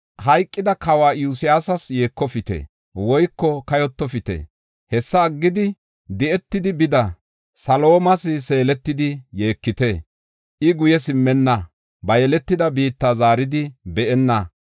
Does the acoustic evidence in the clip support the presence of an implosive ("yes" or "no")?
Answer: no